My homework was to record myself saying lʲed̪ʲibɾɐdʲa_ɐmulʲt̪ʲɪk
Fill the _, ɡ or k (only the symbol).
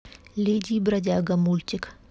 ɡ